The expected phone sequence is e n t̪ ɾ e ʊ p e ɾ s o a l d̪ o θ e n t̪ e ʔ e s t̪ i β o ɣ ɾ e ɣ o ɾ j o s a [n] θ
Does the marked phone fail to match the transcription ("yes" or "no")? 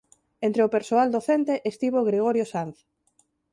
no